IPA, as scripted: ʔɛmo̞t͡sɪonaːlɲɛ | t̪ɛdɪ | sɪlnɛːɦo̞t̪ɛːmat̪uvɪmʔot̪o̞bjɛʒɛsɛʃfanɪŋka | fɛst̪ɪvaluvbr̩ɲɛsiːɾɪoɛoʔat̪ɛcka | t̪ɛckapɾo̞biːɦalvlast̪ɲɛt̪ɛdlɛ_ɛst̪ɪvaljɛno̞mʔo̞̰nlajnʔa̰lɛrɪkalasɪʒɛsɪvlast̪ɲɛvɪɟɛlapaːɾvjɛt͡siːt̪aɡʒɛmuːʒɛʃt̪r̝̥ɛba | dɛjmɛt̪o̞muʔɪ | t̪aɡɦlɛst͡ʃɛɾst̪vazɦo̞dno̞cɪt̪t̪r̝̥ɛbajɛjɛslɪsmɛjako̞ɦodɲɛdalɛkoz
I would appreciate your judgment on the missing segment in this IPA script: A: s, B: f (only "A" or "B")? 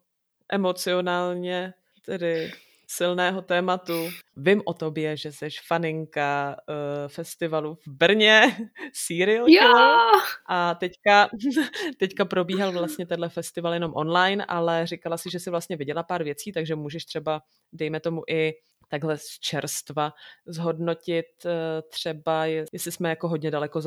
B